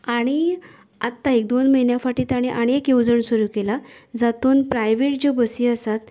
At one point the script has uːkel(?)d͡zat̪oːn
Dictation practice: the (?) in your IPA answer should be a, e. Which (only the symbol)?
a